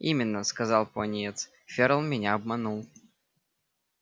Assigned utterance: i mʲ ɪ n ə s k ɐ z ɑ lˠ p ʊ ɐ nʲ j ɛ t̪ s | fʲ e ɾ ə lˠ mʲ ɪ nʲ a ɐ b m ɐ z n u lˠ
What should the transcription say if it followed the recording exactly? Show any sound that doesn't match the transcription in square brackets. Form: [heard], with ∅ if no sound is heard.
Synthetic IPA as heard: i mʲ ɪ [nː] ə s k ɐ z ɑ lˠ p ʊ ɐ nʲ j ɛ t̪ s | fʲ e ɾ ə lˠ mʲ ɪ nʲ a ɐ b m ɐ [∅] n u lˠ